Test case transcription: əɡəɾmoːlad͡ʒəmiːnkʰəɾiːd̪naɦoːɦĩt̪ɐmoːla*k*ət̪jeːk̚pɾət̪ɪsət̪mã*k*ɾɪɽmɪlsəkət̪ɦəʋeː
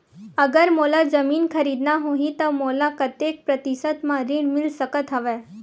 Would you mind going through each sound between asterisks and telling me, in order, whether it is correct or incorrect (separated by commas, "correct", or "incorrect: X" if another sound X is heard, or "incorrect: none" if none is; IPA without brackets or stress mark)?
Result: correct, incorrect: none